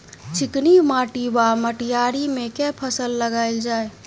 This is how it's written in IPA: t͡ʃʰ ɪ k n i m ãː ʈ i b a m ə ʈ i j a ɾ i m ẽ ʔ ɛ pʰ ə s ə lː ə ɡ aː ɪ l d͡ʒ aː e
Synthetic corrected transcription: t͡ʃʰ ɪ k n i m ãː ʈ i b a m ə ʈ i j a ɾ i m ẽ k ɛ pʰ ə s ə lː ə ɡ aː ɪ l d͡ʒ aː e